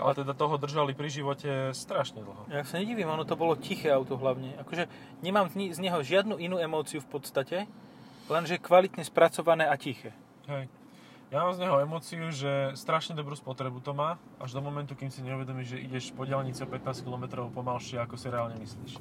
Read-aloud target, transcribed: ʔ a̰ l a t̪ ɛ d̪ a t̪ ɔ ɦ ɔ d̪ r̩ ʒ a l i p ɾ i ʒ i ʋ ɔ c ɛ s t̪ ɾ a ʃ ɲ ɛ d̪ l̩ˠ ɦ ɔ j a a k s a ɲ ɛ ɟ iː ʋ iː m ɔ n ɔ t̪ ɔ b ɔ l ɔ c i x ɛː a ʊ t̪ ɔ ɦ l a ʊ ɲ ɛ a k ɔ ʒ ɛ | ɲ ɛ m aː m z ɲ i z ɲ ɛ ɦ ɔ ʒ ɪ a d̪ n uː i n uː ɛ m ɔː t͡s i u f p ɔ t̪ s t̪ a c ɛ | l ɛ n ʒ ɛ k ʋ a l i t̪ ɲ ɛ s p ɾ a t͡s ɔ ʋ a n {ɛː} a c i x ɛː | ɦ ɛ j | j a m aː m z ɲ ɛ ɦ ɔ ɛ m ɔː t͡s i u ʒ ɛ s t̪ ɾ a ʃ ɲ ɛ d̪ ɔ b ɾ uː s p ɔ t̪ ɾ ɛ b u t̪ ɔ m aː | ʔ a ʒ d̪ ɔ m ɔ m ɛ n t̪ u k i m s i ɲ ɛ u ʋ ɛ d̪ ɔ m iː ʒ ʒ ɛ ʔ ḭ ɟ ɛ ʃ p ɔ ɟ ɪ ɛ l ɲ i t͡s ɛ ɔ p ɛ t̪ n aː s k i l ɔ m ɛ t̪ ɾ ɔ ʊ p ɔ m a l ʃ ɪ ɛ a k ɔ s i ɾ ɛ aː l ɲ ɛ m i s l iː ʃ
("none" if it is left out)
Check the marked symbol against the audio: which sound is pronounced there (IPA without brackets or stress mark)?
ɛː